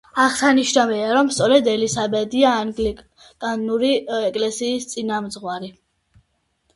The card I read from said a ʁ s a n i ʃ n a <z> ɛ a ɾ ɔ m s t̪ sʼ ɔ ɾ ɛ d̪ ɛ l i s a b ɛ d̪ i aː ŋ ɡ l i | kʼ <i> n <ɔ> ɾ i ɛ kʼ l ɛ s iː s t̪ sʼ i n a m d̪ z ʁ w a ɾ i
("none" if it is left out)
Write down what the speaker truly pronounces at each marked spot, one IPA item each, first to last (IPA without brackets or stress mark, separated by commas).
v, a, u